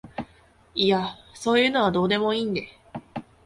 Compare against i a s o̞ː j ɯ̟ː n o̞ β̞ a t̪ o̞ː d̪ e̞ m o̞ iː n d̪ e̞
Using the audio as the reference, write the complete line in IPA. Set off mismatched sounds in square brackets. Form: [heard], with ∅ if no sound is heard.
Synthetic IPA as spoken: i a s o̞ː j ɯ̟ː n o̞ β̞ a [d̪] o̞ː d̪ e̞ m o̞ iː n d̪ e̞